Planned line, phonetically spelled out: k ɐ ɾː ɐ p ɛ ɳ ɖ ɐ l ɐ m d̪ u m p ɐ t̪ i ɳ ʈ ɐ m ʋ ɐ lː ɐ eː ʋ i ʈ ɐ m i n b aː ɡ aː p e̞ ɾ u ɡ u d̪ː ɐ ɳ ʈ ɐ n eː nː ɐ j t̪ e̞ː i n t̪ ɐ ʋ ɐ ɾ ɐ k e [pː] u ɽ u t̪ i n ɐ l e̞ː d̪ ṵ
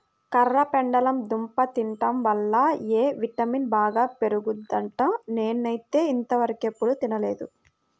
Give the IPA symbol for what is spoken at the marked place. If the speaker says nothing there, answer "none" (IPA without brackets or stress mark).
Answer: pː